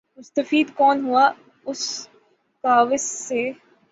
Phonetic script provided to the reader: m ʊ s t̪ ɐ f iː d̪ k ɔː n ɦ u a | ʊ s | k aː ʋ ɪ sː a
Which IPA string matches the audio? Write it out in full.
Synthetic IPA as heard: m ʊ s t̪ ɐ f iː d̪ k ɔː n ɦ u a | ʊ s | k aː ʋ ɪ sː e

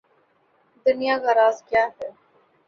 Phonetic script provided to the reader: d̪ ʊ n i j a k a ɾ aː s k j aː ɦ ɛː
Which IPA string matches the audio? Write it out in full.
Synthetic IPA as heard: d̪ ʊ n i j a k a ɾ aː z k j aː ɦ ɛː

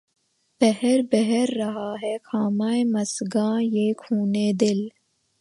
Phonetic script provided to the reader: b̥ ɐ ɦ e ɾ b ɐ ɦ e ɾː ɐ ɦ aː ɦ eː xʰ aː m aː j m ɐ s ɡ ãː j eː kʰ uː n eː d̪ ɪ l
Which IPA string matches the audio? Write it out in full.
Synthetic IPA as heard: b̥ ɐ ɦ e ɾ b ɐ ɦ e ɾː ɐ ɦ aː ɦ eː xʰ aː m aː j m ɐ s ɡ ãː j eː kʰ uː n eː d̪ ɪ l

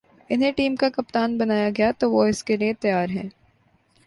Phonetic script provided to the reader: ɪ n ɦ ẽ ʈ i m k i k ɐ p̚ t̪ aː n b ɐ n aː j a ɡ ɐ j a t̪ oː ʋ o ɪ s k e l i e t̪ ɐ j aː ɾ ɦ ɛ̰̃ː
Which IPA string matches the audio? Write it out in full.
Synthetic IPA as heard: ɪ n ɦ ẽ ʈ iː m k a k ɐ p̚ t̪ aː n b ɐ n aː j a ɡ ɐ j a t̪ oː ʋ o ɪ s k e l i e t̪ ɐ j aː ɾ ɦ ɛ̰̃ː

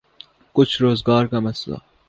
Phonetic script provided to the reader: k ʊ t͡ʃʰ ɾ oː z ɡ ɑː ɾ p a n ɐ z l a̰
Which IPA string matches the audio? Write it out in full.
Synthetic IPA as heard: k ʊ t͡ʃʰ ɾ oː z ɡ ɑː ɾ k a m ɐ s l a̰

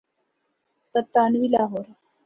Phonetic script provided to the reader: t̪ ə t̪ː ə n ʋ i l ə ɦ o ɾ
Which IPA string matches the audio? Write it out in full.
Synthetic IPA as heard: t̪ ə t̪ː a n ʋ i l a ɦ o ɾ

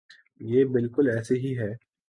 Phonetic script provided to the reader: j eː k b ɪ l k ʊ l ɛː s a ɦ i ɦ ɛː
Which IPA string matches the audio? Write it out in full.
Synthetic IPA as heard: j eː b ɪ l k ʊ l ɛː s e ɦ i ɦ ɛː

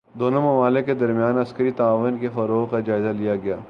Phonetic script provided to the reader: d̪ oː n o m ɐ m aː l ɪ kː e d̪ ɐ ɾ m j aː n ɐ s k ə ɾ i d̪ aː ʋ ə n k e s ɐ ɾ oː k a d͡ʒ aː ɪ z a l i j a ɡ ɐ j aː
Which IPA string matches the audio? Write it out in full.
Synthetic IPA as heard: d̪ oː n o m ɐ m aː l ɪ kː e d̪ ɐ ɾ m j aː n ɐ s k ə ɾ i t̪ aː ʋ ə n k e f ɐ ɾ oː k a d͡ʒ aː ɪ z a l i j a ɡ ɐ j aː

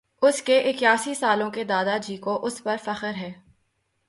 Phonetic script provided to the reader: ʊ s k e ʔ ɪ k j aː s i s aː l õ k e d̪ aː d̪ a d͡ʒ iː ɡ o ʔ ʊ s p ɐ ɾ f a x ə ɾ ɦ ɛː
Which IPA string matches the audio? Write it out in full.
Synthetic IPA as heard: ʊ s k e ʔ ɪ k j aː s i s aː l õ k e d̪ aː d̪ a d͡ʒ iː k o ʔ ʊ s p ɐ ɾ f ɐ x ə ɾ ɦ ɛː

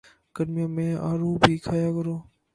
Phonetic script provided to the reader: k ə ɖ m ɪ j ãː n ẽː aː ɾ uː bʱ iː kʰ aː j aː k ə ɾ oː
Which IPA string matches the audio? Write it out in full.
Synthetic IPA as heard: k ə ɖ m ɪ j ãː m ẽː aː ɾ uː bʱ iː kʰ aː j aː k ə ɾ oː

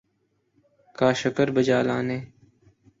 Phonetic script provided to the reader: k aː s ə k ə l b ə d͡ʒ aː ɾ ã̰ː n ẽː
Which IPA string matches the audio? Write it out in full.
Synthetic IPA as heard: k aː ʃ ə k ə ɾ b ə d͡ʒ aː l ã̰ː n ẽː

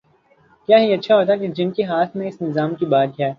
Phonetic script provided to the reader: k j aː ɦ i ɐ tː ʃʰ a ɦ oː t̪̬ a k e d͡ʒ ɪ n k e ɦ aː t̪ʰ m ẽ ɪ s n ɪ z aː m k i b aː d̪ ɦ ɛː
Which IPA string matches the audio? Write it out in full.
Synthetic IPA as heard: k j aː ɦ i ɐ tː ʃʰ a ɦ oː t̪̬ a k e d͡ʒ ɪ n k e ɦ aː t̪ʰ m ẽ ɪ s n ɪ z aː m k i b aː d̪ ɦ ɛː

